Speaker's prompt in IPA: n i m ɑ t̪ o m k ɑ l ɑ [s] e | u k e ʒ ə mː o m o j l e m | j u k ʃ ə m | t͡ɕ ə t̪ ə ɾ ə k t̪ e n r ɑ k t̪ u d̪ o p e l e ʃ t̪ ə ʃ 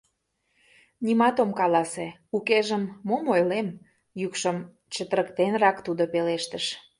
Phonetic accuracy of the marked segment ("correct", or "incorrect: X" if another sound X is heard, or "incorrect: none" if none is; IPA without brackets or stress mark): correct